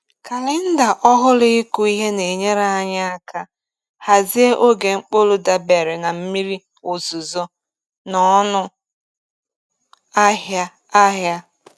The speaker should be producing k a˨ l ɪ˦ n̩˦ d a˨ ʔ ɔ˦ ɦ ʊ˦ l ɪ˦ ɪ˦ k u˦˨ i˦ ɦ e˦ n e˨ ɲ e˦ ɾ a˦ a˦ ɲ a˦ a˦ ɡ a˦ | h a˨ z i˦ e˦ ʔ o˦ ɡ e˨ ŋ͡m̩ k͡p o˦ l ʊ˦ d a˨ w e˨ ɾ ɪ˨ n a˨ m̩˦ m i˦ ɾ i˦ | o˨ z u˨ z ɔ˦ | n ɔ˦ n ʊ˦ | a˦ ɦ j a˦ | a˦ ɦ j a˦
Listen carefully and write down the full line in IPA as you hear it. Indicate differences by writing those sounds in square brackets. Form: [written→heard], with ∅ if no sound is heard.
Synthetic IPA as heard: k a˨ l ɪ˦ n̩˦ d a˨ ʔ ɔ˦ ɦ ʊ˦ l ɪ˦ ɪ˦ k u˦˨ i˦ ɦ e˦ n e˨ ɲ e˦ ɾ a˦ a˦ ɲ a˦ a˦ [ɡ→k] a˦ | h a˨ z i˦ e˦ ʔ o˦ ɡ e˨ ŋ͡m̩ k͡p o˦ l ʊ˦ d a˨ [w→b] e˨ ɾ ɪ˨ n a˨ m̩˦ m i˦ ɾ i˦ | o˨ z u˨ z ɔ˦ | n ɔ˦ n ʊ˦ | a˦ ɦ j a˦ | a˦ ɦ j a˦